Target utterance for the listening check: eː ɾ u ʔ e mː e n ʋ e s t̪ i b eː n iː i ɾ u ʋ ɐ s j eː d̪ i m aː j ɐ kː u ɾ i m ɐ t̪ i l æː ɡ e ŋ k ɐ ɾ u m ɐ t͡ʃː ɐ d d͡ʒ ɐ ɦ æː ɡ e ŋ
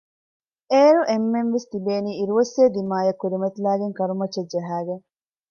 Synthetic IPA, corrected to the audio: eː ɾ u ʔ e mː e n ʋ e s t̪ i b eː n iː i ɾ u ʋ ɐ s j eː d̪ i m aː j ɐ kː u ɾ i m ɐ t̪ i l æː ɡ e ŋ k ɐ ɾ u m ɐ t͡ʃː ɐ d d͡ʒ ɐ ɦ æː ɡ e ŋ